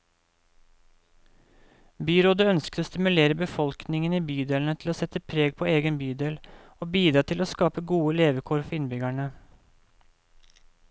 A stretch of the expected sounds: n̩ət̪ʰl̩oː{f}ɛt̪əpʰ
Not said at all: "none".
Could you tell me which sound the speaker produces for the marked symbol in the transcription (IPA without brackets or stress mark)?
s